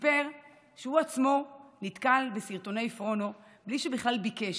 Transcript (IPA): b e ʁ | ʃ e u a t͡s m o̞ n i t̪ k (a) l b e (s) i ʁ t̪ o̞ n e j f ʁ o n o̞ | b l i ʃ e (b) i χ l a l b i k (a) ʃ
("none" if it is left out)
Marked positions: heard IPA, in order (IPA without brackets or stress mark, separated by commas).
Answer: a, s, b, e